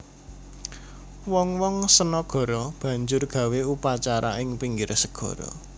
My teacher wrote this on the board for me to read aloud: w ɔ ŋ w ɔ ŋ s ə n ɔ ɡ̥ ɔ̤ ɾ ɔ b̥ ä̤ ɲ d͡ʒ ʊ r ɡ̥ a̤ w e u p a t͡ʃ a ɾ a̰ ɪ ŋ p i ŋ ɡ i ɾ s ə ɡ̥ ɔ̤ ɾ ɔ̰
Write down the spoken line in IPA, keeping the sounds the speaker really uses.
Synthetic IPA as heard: w ɔ ŋ w ɔ ŋ s ə n ɔ ɡ̥ ɔ̤ ɾ ɔ b̥ ä̤ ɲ d͡ʒ ʊ r ɡ̥ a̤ w e u p a t͡ʃ a ɾ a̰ ɪ ŋ p i ŋ ɡ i ɾ s ə ɡ̥ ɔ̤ ɾ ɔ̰